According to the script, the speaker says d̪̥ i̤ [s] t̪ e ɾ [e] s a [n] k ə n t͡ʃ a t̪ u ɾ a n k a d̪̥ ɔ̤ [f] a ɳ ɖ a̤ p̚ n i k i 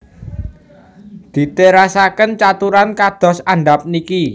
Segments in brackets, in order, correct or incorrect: incorrect, incorrect, incorrect, incorrect

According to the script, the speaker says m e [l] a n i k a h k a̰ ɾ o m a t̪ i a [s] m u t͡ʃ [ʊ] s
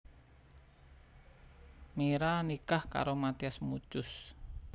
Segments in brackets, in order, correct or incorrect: incorrect, correct, correct

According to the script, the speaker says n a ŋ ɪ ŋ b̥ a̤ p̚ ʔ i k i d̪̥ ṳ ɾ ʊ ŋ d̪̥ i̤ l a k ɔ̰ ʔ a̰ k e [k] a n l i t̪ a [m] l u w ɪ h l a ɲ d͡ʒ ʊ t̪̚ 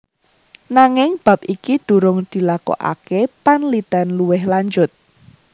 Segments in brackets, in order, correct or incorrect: incorrect, incorrect

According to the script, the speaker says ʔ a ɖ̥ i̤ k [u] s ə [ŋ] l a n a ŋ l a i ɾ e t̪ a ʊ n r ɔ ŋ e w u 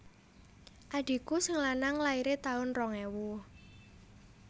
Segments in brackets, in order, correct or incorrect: correct, correct

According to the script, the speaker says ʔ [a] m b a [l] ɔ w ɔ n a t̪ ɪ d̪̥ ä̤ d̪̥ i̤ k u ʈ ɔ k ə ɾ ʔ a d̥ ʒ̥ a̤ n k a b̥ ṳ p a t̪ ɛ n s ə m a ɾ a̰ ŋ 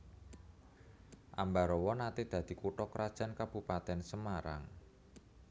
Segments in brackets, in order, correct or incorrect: correct, incorrect

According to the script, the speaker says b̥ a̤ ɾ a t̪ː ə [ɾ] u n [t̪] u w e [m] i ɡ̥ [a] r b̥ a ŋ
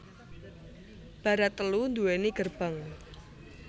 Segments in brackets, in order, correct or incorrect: incorrect, incorrect, incorrect, incorrect

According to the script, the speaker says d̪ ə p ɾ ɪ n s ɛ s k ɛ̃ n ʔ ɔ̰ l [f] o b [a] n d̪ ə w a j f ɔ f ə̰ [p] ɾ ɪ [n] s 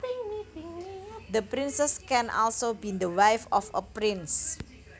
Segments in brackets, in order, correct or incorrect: incorrect, incorrect, correct, correct

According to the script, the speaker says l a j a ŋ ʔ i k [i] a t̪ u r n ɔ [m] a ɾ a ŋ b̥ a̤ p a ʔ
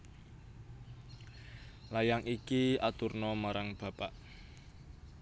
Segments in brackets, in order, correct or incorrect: correct, correct

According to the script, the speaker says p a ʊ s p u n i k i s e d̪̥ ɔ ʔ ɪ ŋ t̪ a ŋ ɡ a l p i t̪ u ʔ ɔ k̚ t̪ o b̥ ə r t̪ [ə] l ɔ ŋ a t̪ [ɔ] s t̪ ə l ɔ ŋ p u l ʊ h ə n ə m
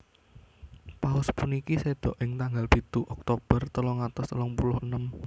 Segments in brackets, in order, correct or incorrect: correct, correct

